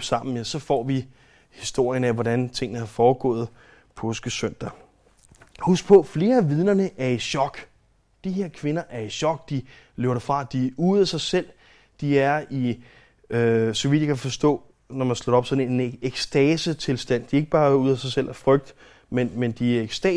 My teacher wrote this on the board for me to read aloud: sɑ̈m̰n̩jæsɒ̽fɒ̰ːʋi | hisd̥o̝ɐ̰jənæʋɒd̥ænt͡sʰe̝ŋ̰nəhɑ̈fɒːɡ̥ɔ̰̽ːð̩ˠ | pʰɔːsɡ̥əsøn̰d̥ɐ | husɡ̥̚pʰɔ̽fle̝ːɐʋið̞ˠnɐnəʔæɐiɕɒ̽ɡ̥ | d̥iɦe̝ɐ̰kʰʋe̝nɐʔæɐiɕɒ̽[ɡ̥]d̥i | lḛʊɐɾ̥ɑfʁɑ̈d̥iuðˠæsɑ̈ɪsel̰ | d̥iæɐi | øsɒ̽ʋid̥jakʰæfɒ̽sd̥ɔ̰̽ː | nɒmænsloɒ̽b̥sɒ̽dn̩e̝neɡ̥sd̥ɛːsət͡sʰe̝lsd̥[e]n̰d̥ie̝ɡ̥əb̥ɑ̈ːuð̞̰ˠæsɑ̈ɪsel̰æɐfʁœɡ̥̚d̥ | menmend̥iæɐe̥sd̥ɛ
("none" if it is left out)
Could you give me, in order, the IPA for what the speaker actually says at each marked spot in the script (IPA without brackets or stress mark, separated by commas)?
ɡ̥, æ